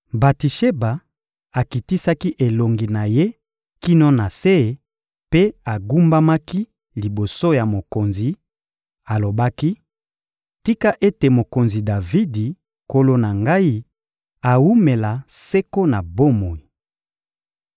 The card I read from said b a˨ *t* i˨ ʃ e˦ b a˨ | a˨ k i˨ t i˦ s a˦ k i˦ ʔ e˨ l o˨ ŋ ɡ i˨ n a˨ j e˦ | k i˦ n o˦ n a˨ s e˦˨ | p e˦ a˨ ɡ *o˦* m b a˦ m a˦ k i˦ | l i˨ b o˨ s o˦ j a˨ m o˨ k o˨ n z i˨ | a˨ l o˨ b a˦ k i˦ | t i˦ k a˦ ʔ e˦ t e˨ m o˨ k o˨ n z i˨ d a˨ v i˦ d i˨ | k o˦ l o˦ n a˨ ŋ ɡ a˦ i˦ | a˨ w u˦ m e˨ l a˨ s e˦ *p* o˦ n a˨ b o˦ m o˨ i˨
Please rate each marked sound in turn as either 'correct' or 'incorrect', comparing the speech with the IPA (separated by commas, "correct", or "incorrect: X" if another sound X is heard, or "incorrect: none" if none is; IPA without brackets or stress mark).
correct, incorrect: u˦, incorrect: k